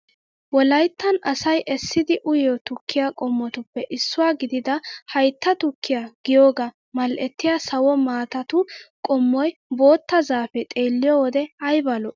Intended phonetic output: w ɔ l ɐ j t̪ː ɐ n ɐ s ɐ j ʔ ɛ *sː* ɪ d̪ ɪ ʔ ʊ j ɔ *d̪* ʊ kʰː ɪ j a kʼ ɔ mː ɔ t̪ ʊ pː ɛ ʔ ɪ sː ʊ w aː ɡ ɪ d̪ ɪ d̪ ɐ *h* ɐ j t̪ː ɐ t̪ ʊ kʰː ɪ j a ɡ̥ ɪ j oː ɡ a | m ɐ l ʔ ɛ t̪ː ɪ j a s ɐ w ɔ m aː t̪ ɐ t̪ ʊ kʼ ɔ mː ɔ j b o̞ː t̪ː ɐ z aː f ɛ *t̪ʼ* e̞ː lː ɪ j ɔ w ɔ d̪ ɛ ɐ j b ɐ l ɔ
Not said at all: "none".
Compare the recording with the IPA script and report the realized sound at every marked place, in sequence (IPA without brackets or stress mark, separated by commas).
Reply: sː, t̪, h, t̪ʼ